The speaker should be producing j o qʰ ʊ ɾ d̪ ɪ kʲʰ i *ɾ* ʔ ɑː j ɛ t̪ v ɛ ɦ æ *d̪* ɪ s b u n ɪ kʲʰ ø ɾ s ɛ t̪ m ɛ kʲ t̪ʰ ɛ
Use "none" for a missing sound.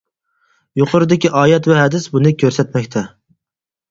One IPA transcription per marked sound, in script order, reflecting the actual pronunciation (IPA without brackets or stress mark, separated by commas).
none, d̪